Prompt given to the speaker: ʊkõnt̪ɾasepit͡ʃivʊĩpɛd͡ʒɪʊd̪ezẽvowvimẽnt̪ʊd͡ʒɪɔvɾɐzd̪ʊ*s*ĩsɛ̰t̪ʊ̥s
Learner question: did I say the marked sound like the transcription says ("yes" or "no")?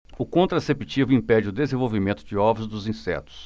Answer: no